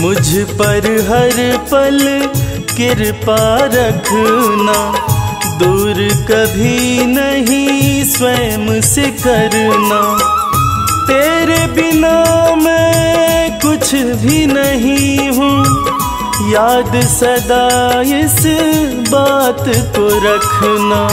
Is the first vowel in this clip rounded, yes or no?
yes